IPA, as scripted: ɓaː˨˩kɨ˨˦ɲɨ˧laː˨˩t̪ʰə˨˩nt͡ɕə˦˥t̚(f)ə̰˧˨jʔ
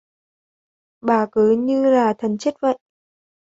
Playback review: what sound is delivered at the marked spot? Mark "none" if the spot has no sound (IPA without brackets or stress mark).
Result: v